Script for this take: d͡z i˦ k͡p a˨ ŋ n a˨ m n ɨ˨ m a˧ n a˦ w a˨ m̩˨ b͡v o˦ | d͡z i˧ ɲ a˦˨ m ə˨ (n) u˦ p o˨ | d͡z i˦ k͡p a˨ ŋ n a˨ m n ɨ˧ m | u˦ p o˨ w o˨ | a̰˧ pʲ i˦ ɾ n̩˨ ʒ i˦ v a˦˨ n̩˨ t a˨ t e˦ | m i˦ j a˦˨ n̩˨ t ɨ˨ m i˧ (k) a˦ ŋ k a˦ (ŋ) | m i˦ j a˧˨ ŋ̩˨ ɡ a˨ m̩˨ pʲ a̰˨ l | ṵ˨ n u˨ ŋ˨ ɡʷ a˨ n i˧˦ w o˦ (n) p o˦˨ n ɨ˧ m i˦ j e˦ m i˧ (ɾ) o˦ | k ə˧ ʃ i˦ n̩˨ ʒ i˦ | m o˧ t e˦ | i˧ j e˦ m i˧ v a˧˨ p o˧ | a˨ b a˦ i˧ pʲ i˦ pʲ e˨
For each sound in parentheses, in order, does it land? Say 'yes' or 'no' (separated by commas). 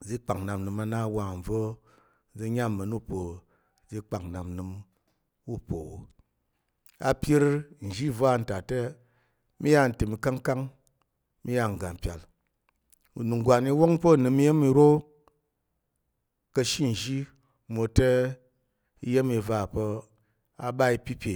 yes, yes, yes, no, yes